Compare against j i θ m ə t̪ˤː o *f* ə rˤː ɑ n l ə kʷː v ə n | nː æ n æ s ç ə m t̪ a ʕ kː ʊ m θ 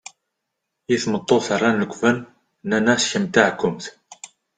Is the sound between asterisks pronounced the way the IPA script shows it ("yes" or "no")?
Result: no